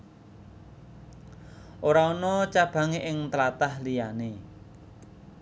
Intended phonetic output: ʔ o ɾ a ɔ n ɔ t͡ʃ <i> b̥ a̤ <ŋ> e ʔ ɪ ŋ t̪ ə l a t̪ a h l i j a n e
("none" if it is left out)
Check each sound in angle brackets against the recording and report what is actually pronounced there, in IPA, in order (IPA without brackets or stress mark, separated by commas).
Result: a, ŋ